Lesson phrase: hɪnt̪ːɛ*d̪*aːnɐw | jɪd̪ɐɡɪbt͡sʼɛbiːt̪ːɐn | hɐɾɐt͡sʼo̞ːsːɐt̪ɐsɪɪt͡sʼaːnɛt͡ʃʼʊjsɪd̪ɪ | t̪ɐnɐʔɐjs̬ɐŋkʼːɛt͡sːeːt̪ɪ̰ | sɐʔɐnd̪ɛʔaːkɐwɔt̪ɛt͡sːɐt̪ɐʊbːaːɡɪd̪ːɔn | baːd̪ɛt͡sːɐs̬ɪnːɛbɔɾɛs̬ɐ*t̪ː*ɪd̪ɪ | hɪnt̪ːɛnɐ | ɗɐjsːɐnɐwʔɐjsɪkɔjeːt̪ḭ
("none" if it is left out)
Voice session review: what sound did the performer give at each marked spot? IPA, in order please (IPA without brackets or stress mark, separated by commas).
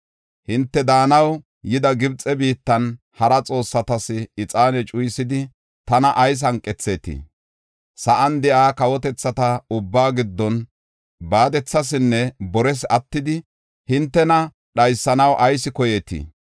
d̪, t̪ː